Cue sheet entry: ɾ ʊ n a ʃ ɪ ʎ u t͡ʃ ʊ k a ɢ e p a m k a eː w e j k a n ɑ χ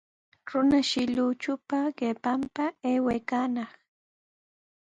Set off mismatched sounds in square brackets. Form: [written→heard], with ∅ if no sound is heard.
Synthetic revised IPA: ɾ ʊ n a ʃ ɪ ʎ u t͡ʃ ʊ [k→p] a ɢ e p a m [k→p] a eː w e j k a n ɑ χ